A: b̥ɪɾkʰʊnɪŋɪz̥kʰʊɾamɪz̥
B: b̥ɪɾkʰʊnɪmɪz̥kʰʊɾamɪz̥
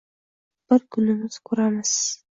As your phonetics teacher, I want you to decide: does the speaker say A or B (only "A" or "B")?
B